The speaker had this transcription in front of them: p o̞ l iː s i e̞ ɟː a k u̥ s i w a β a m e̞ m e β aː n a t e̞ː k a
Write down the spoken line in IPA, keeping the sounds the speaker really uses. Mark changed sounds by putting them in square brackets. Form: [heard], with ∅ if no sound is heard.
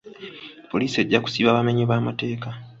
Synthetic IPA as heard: p o̞ l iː s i e̞ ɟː a k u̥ s i [β] a β a m e̞ [ɲ] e β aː [m] a t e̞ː k a